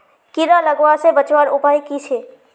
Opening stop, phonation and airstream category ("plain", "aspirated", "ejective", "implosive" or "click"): plain